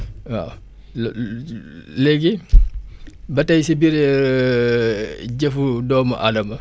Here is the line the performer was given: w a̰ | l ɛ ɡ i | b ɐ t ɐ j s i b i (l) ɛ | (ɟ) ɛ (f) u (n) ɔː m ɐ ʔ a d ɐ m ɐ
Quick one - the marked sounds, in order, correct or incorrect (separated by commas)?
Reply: incorrect, correct, correct, incorrect